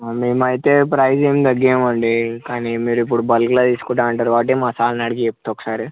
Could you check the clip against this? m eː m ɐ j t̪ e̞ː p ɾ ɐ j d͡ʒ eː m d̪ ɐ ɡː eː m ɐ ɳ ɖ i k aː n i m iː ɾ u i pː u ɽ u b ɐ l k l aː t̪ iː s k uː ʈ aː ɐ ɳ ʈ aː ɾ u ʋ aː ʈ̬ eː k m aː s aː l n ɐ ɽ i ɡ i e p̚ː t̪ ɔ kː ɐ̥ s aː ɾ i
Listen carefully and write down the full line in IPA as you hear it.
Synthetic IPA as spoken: m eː m ɐ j t̪ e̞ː p ɾ ɐ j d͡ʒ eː m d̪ ɐ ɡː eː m ɐ ɳ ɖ i k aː n i m iː ɾ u i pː u ɽ u b ɐ l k l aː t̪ iː s k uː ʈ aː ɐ ɳ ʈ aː ɾ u ʋ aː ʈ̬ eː m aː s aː l n ɐ ɽ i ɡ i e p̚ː t̪ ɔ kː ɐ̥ s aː ɾ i